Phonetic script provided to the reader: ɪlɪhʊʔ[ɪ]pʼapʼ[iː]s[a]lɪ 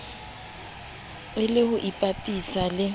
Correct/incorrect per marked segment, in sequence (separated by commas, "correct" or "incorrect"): incorrect, incorrect, correct